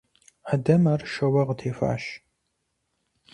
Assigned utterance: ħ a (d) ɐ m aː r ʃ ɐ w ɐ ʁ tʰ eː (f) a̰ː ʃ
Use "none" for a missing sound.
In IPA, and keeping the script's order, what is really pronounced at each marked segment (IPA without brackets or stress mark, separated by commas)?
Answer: d, f